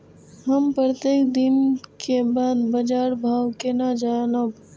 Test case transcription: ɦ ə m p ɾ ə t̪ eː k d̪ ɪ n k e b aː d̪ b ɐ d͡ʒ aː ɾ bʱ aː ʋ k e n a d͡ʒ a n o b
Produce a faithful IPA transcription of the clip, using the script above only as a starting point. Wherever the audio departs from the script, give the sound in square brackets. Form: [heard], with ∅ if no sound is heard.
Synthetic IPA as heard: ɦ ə m p ɾ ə t̪ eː k d̪ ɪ n k e b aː d̪ b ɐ d͡ʒ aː ɾ bʱ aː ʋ k e n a d͡ʒ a n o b